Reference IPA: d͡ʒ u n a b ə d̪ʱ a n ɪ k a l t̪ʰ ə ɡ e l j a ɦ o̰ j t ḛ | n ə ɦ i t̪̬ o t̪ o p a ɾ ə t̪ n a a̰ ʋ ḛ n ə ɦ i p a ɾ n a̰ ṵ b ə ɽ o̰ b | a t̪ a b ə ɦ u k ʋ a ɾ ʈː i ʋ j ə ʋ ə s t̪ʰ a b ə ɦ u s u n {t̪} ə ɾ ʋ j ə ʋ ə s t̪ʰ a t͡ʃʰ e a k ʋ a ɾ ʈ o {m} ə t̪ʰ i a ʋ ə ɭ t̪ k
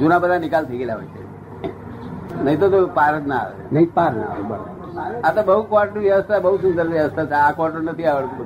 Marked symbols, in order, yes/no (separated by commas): no, no